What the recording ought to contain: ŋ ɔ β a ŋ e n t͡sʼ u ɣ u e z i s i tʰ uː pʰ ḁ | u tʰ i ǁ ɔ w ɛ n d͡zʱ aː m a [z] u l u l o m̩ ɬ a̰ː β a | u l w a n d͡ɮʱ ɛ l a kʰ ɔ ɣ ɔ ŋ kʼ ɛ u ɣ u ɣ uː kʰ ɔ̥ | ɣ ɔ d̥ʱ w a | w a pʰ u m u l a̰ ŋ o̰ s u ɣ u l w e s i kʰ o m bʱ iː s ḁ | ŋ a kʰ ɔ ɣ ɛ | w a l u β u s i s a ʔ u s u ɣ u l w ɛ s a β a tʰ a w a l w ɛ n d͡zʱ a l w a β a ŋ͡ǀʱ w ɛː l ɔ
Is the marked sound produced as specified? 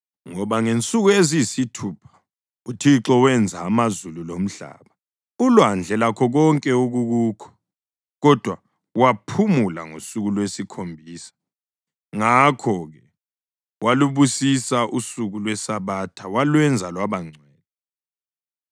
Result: yes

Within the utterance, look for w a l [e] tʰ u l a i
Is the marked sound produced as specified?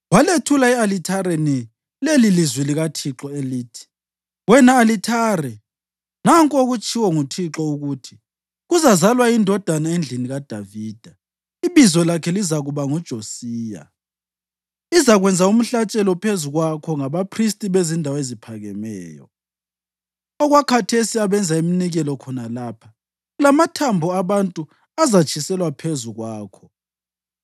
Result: yes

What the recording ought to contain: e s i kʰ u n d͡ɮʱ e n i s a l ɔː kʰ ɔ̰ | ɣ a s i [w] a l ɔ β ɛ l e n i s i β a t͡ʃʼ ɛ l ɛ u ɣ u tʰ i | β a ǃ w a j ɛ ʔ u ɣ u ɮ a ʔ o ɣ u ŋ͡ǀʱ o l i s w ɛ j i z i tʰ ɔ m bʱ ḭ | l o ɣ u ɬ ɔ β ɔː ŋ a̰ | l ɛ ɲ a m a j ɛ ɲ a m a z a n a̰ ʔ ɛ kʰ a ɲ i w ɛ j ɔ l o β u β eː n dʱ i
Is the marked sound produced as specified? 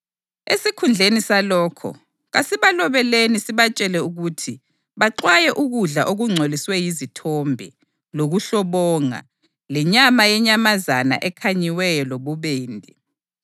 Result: no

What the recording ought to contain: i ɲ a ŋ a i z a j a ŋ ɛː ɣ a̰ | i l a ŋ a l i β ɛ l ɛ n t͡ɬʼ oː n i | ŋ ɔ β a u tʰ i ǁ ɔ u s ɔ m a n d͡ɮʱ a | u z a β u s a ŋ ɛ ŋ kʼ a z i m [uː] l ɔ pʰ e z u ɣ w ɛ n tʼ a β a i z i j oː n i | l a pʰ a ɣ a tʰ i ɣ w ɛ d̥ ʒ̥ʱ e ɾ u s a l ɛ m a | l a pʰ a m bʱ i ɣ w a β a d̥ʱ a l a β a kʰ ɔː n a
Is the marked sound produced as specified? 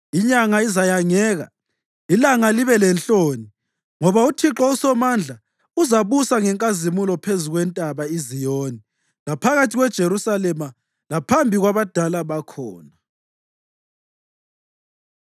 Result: no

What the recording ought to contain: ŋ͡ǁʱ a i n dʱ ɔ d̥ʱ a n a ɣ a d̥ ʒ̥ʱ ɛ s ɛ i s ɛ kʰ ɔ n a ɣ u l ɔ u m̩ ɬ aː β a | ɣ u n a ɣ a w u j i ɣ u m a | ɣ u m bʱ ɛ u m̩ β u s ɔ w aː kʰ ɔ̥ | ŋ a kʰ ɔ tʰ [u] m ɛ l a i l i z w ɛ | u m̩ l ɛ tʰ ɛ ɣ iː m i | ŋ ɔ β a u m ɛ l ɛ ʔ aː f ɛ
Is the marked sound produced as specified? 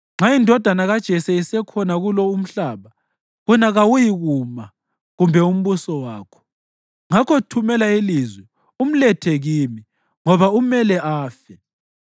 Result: yes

